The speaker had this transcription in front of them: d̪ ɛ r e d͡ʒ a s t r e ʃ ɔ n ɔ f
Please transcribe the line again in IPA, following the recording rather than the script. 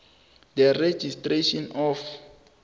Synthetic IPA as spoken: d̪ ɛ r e d͡ʒ i s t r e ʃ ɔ n ɔ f

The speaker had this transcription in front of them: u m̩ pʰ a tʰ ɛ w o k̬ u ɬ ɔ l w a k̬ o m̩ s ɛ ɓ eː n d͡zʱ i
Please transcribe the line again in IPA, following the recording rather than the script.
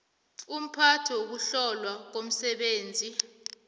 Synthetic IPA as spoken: u m̩ pʰ a tʰ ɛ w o k̬ u ɬ ɔ l w a k̬ o m̩ s ɛ ɓ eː n d͡zʱ i

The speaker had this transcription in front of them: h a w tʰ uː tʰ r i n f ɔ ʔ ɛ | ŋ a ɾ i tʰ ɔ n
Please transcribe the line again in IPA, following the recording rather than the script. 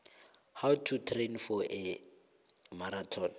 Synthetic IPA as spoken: h a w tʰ u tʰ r e n f ɔ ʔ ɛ | m a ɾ a tʰ ɔ n

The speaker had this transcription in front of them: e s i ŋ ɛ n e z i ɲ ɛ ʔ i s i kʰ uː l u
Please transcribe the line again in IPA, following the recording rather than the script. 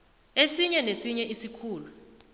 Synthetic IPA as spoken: e s i ɲ ɛ n e s i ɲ ɛ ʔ i s i kʰ uː l u

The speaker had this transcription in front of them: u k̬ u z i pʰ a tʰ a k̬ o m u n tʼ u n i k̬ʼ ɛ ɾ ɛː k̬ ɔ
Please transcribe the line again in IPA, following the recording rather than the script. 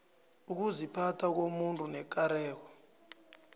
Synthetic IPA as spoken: u k̬ u z i pʰ a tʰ a k̬ o m u n tʼ u n ɛ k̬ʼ a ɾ ɛː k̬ ɔ

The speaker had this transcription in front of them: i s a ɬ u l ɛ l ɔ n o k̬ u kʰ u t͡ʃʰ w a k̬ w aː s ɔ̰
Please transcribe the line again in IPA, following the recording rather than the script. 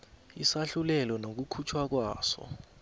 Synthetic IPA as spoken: i s a ɬ u l ɛ l ɔ n o k̬ u kʰ u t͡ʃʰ w a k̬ w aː s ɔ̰

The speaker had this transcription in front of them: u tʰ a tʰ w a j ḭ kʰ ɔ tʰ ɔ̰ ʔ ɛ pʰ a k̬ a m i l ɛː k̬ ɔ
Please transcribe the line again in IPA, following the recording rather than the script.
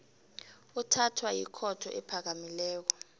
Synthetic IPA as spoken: u tʰ a tʰ w a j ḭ kʰ ɔ tʰ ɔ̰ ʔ ɛ pʰ a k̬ a m i l ɛː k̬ ɔ

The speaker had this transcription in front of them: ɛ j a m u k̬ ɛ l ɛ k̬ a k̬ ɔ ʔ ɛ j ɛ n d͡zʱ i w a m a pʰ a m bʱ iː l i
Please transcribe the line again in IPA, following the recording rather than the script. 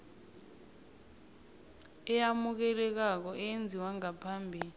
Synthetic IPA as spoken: ɛ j a m u k̬ ɛ l ɛ k̬ a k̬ ɔ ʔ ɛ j e n d͡zʱ i w a ŋ a pʰ a m bʱ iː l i

